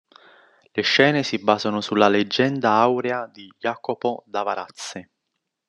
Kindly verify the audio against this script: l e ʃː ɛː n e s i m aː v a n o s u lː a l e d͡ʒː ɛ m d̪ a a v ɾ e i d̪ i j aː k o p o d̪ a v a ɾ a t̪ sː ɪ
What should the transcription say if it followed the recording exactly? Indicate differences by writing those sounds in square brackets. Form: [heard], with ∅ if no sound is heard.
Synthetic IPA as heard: l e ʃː ɛː n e s i [b] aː [z] a n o s u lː a l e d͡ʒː ɛ [n] d̪ a a [w] ɾ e [a] d̪ i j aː k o p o d̪ a v a ɾ a t̪ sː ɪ